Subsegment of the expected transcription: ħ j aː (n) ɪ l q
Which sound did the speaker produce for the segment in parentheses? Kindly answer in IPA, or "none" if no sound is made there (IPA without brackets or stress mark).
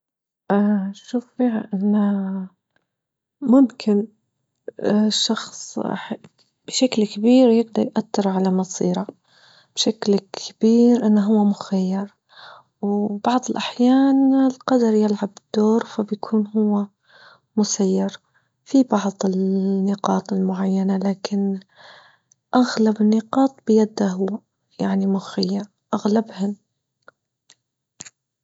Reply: n